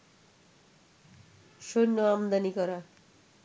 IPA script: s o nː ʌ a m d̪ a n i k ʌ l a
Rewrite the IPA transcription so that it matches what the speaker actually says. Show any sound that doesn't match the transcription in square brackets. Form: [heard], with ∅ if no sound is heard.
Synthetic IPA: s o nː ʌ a m d̪ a n i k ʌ [ɾ] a